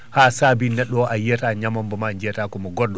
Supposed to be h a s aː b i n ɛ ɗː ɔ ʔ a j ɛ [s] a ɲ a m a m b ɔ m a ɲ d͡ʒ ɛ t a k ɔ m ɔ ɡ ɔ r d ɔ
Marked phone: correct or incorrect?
incorrect